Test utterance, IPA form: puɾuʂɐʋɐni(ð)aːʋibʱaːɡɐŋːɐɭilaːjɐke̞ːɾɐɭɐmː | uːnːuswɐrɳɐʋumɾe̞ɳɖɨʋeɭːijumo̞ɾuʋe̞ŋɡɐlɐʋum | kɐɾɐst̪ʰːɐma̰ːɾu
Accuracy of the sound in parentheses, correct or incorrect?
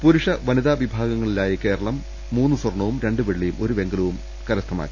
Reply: correct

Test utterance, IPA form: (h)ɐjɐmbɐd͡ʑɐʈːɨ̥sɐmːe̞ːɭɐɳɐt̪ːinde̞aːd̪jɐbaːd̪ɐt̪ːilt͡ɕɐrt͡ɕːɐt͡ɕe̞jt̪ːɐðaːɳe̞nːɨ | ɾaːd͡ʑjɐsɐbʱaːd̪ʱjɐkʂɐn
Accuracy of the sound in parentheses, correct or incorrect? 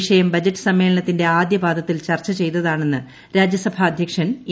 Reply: incorrect: ʂ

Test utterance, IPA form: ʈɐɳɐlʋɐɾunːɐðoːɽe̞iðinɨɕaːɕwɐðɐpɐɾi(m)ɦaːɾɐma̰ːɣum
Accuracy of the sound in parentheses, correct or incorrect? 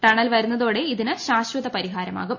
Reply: incorrect: none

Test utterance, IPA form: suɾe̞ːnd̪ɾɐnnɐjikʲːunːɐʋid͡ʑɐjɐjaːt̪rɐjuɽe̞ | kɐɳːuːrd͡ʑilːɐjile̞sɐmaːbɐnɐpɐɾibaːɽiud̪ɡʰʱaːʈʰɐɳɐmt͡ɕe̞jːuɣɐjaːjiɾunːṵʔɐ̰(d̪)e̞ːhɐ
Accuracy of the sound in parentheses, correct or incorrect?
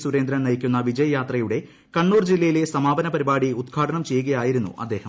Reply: incorrect: d̪ː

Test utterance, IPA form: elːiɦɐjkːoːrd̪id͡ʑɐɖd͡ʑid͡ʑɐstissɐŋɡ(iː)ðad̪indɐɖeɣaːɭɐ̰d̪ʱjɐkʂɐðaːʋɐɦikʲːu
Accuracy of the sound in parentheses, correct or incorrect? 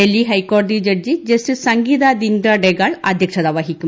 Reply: correct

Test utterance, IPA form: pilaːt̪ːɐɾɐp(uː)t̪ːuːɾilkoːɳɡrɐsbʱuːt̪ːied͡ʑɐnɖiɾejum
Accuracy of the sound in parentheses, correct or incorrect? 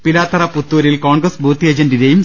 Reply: incorrect: u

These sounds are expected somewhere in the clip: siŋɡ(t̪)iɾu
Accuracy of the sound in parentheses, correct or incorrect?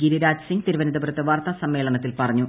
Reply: correct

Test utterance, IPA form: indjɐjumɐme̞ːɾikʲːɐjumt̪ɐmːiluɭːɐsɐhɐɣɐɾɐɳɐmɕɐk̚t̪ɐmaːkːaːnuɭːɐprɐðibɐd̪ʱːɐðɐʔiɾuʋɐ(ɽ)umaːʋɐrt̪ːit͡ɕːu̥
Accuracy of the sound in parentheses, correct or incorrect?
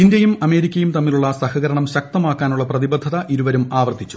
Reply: incorrect: ɾ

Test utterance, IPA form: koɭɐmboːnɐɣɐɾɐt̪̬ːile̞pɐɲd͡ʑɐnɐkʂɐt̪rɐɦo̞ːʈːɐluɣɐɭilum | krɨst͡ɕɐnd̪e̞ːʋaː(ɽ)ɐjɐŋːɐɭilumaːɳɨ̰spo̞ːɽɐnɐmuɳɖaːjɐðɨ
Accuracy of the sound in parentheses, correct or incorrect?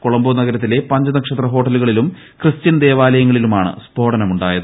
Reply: incorrect: l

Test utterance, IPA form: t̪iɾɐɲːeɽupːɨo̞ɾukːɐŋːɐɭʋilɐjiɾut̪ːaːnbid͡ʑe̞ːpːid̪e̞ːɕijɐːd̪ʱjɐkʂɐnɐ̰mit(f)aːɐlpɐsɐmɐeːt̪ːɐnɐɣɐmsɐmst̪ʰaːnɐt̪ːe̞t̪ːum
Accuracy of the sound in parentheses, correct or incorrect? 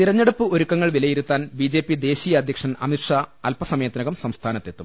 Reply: incorrect: ʂ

